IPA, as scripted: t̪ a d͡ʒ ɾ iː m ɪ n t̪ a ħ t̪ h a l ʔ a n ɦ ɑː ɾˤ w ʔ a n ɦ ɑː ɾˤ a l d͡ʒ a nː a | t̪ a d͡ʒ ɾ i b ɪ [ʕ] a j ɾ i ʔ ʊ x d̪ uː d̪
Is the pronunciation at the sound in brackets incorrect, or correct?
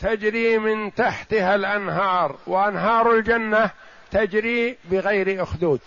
incorrect